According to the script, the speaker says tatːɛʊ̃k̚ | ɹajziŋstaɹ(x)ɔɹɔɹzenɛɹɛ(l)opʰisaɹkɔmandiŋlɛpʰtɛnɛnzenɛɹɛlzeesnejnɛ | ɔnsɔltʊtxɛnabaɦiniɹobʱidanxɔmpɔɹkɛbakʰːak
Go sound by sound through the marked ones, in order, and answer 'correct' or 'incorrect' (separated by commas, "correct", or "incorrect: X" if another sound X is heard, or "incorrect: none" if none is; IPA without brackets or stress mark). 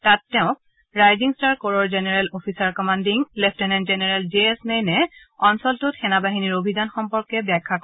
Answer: incorrect: k, correct